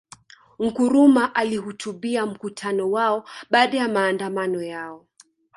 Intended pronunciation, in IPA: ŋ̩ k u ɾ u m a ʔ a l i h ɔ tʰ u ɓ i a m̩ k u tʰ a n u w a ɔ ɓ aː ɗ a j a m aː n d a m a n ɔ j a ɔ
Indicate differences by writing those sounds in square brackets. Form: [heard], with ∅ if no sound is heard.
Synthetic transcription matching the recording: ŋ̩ k u ɾ u m a ʔ a l i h [u] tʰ u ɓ i a m̩ k u tʰ a n [ɔ] w a ɔ ɓ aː ɗ a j a m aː n d a m a n ɔ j a ɔ